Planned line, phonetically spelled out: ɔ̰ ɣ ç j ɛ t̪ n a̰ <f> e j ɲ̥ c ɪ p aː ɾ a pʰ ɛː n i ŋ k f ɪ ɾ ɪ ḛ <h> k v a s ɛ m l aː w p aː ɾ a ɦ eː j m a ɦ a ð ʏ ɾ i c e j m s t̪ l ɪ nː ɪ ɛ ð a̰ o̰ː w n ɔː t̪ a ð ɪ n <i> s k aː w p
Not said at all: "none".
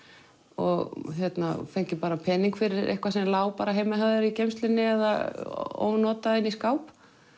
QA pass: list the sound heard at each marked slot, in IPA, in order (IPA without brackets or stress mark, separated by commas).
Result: f, h, i